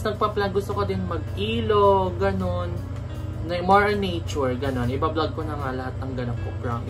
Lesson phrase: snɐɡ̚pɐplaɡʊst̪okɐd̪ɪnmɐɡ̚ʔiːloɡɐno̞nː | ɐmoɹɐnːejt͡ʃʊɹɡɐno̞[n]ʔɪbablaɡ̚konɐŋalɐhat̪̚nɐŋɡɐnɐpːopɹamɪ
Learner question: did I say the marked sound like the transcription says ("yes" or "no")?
yes